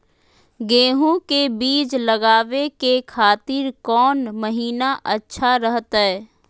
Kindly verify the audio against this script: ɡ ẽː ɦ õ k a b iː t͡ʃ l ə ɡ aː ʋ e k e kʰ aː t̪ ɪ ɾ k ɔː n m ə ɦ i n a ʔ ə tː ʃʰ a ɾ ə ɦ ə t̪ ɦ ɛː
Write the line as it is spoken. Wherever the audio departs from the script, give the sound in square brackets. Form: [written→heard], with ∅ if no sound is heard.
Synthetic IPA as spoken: ɡ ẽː ɦ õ k [a→e] b iː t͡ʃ l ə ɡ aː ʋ e k e kʰ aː t̪ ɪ ɾ k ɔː n m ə ɦ [i→iː] n a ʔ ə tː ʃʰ a ɾ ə ɦ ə t̪ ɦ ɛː